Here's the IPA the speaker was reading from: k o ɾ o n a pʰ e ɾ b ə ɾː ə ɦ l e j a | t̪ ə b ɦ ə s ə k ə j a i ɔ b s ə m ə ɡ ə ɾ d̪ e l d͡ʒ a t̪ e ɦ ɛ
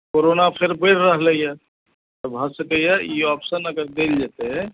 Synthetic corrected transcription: k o ɾ o n a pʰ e ɾ b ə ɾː ə ɦ l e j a | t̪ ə b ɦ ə s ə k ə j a i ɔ p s ə n ə ɡ ə ɾ d̪ e l d͡ʒ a t̪ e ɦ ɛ